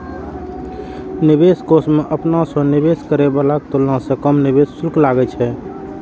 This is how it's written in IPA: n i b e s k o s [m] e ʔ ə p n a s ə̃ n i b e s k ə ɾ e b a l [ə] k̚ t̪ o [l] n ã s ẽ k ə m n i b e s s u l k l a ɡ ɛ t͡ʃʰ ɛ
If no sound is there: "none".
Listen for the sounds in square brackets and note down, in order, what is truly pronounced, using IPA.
m, a, l

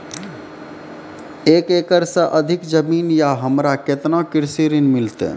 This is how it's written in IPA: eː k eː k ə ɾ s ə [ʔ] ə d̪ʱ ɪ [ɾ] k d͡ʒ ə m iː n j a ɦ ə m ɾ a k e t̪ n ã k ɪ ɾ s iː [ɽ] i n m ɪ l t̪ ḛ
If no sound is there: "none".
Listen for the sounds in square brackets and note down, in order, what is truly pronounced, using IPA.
ʔ, none, ɾ

